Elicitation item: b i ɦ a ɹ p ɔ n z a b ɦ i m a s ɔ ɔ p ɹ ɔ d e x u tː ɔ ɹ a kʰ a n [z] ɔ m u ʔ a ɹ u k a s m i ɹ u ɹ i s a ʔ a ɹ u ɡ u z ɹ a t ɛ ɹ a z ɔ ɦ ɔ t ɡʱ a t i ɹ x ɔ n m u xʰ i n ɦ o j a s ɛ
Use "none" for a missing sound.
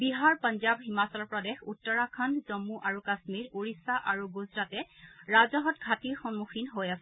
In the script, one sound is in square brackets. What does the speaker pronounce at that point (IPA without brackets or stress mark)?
z